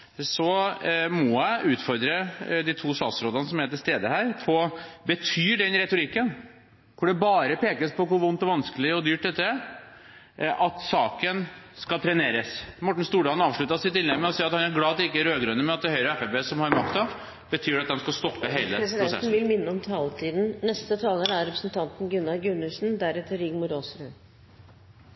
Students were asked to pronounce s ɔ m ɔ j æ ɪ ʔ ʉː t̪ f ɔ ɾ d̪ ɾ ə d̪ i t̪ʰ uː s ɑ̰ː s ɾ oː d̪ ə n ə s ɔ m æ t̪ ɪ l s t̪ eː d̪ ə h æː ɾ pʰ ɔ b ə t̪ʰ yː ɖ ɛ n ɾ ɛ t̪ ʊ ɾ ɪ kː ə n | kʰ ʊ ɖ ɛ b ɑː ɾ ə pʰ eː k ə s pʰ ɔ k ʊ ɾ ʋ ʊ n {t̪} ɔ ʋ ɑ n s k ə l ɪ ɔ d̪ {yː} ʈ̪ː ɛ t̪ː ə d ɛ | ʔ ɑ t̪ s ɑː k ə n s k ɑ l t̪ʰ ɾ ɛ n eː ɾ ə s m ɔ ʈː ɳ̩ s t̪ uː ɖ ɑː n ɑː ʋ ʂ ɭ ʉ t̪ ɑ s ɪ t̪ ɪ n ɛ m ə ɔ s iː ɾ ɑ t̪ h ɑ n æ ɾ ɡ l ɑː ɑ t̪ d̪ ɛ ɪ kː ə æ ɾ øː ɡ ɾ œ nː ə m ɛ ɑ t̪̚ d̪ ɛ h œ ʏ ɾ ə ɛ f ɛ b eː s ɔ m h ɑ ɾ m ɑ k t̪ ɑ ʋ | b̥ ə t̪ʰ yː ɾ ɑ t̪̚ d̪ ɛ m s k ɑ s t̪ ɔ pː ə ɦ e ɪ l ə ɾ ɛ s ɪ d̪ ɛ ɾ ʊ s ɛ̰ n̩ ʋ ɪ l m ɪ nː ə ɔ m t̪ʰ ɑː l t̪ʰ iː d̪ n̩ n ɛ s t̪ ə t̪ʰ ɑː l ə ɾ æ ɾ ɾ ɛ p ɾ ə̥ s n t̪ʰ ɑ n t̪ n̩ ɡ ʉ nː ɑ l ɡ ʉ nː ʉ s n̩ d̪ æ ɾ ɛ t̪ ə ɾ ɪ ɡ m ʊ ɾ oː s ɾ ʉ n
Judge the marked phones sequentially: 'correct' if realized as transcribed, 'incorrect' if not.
correct, correct

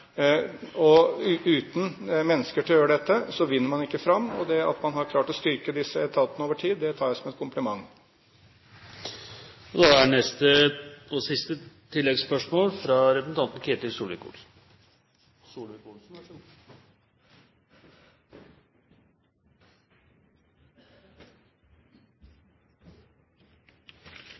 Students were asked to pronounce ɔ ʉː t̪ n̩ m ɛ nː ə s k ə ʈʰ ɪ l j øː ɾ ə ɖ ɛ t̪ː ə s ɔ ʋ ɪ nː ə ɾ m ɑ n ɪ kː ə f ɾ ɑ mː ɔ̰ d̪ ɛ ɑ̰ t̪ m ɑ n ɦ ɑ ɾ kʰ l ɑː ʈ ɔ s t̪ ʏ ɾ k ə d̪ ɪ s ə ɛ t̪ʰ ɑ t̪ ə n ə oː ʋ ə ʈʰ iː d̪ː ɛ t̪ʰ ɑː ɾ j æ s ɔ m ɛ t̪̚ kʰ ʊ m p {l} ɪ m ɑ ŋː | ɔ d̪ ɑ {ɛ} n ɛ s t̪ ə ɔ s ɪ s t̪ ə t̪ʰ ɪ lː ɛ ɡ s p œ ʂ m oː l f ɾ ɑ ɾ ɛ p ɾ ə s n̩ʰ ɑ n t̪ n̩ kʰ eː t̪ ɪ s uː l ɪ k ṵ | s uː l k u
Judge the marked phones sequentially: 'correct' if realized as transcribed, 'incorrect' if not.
correct, incorrect: æ

